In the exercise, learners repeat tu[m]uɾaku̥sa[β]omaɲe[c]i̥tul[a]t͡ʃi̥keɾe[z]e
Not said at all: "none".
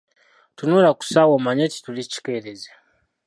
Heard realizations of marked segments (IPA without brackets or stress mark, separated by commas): n, w, t, i, z